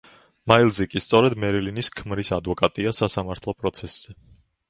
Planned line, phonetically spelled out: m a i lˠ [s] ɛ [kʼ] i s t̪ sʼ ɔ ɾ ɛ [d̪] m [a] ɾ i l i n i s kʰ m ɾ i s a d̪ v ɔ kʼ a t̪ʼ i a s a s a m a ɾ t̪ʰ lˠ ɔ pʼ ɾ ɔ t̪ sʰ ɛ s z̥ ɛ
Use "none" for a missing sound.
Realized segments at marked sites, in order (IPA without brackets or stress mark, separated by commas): z, kʼ, d̪, ɛ